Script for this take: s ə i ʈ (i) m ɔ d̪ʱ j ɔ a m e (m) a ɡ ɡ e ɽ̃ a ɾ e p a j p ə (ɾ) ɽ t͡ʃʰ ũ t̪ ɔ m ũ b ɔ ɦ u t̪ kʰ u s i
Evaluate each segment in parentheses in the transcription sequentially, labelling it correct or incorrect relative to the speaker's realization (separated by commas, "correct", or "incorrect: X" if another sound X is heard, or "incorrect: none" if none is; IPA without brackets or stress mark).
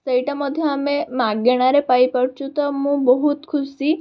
incorrect: a, correct, incorrect: none